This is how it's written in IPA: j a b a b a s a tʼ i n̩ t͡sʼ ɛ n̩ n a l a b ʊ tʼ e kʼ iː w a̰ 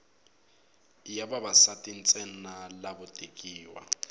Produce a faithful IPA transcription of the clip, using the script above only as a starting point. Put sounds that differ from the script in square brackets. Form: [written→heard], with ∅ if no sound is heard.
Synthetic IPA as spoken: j a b a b a s a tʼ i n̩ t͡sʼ ɛ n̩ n a l a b ʊ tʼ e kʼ iː w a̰

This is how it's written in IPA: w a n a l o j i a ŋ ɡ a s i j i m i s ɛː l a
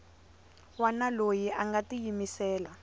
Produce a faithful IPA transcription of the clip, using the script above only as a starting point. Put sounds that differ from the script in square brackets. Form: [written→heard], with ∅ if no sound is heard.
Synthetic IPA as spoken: w a n a l o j i a ŋ ɡ a [s→t] i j i m i s ɛː l a

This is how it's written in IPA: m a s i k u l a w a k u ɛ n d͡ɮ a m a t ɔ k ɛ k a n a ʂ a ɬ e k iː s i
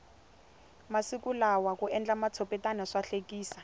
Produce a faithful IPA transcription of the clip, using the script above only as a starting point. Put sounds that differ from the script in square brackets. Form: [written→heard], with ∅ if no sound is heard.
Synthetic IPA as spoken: m a s i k u l a w a k u ɛ n d͡ɮ a m a [t→t͡sʰ] ɔ [k→p] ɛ [k→t] a n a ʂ a ɬ e k iː s [i→a]

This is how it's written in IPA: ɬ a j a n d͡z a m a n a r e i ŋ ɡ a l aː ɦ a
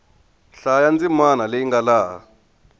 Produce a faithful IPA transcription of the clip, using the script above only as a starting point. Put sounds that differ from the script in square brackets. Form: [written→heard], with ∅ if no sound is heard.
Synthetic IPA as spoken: ɬ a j a n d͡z [a→i] m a n a [r→l] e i ŋ ɡ a l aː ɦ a

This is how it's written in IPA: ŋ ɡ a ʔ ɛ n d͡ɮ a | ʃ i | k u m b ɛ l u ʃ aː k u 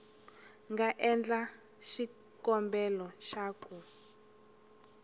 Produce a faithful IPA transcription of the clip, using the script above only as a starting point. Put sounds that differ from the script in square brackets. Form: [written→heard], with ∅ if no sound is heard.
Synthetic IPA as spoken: ŋ ɡ a ʔ ɛ n d͡ɮ a | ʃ i | k [u→ɔ] m b ɛ l [u→ɔ] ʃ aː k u

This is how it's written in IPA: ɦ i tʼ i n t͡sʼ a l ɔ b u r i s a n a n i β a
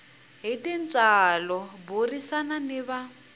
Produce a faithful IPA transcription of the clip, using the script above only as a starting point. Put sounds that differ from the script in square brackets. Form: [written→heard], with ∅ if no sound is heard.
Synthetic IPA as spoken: ɦ i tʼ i n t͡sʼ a l ɔ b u r i s a n a n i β a

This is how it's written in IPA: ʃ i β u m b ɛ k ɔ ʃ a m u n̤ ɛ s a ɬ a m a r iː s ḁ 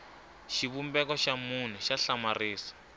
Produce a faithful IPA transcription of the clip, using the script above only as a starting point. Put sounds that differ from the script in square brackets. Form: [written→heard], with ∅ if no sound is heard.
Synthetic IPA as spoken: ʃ i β u m b ɛ k ɔ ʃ a m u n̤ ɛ [s→ʃ] a ɬ a m a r iː s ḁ

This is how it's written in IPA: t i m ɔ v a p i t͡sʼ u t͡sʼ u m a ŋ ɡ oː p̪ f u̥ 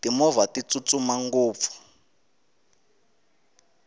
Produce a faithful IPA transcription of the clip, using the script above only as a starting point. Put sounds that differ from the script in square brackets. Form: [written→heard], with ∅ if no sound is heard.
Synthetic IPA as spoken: t i m ɔ v a [p→t] i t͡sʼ u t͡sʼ u m a ŋ ɡ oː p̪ f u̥

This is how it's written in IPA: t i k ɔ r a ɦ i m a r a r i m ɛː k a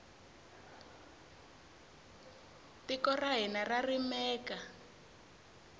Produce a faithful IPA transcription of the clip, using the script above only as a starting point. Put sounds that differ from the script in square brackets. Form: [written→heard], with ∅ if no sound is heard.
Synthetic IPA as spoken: t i k ɔ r a ɦ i [m→n] a r a r i m ɛː k a

